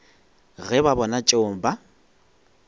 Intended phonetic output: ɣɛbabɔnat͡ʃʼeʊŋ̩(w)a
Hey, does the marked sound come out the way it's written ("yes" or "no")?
no